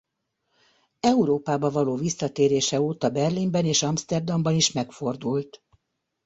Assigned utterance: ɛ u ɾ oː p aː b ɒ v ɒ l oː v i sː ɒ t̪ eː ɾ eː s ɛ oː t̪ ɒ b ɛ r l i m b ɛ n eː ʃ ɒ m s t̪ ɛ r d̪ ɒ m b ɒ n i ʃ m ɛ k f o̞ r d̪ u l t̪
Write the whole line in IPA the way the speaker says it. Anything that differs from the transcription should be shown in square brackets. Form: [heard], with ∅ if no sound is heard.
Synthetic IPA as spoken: ɛ u ɾ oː p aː b ɒ v ɒ l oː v i sː ɒ t̪ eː ɾ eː [ʃ] ɛ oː t̪ ɒ b ɛ r l i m b ɛ n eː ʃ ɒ m s t̪ ɛ r d̪ ɒ m b ɒ n i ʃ m ɛ k f o̞ r d̪ u l t̪